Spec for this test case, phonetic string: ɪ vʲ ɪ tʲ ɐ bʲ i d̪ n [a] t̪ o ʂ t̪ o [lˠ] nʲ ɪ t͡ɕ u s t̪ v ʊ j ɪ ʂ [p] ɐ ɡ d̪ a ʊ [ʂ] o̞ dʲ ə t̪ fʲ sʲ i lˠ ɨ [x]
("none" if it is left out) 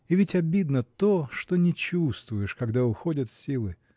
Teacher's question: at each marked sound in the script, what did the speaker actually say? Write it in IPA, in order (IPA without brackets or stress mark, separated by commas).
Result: ə, none, k, x, none